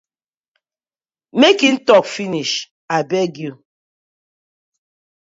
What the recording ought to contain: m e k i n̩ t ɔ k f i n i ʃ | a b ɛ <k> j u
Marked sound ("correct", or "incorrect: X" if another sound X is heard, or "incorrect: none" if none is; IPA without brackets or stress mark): incorrect: ɡ